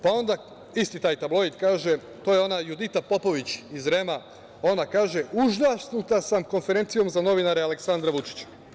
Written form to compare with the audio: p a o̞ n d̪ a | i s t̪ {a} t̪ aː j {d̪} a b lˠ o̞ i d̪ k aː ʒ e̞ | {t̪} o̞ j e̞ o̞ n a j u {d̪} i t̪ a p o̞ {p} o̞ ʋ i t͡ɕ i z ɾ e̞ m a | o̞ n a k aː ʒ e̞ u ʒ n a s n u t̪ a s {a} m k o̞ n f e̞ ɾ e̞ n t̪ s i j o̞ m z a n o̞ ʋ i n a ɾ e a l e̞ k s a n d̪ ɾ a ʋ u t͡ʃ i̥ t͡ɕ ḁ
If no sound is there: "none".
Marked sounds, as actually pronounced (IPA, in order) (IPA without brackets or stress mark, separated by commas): i, t̪, t̪, d̪, p, a